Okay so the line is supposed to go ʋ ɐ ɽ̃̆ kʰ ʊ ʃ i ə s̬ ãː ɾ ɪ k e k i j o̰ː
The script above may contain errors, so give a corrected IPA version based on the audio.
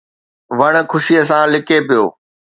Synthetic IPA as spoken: ʋ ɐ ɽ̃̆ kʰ ʊ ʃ i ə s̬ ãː l ɪ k e p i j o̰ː